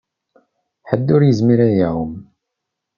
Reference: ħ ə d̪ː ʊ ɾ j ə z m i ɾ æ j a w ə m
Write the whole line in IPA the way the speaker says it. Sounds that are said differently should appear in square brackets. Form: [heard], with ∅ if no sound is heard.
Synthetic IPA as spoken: ħ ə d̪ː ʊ ɾ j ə z m i ɾ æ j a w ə m